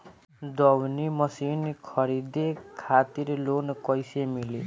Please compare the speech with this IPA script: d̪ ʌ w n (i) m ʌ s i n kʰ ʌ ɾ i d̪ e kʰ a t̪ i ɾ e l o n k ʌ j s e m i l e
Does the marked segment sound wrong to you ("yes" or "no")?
no